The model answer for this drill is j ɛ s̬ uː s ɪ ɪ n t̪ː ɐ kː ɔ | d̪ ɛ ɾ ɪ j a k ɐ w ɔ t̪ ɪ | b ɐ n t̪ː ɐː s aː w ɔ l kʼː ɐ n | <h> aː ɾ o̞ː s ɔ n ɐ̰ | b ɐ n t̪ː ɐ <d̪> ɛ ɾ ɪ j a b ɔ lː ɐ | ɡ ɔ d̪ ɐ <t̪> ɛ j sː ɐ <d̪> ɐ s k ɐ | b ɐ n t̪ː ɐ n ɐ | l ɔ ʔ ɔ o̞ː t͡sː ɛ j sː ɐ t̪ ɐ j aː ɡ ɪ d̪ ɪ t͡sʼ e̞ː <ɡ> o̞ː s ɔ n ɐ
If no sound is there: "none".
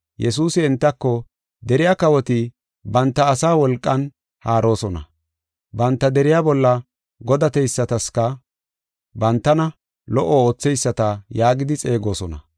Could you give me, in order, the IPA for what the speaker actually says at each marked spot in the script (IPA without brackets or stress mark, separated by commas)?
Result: h, d̪, t̪, t̪, ɡ